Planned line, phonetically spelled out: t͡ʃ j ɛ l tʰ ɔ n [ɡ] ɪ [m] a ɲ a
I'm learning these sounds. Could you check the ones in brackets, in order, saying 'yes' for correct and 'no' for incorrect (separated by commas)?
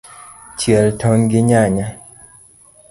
yes, no